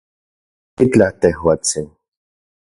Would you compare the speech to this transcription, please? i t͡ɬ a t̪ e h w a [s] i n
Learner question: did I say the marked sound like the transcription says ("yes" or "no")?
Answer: no